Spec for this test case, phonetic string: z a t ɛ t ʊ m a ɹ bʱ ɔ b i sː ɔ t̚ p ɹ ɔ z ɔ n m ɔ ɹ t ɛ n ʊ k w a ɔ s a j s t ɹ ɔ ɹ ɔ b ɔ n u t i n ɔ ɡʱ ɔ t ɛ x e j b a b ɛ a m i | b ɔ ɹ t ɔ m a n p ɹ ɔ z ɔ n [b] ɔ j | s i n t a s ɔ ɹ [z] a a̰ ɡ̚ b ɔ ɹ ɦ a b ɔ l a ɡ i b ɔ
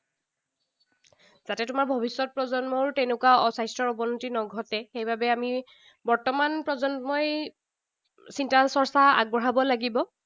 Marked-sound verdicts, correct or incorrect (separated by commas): incorrect, incorrect